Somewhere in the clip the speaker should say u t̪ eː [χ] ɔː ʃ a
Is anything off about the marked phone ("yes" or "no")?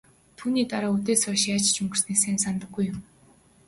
yes